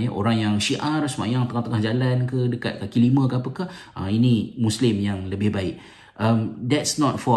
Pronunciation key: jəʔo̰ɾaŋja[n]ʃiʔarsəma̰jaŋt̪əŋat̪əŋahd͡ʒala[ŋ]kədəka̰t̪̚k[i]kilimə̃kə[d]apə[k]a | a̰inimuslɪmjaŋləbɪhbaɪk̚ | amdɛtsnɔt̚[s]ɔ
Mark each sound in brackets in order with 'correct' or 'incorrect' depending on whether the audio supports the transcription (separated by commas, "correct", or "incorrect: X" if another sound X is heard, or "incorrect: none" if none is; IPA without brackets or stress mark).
incorrect: ŋ, incorrect: n, incorrect: a, incorrect: none, correct, incorrect: f